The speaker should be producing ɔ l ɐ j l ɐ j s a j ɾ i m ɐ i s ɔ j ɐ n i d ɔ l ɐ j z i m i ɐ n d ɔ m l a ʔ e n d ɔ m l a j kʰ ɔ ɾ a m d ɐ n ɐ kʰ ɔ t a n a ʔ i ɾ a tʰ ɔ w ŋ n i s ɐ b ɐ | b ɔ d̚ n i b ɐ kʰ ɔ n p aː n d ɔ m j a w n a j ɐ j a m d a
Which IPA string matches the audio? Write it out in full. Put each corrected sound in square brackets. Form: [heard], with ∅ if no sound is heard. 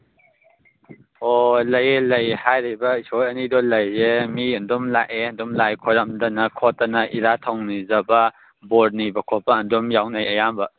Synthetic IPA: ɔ l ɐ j l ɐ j [h] a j ɾ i [b] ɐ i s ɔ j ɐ n i d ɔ l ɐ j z [e] m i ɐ n d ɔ m l a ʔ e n d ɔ m l a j kʰ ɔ ɾ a m d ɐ n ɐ kʰ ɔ t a n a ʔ i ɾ a tʰ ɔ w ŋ n i [z] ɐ b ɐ | b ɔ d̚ n i b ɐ kʰ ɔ [∅] p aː n d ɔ m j a w n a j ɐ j a m [b] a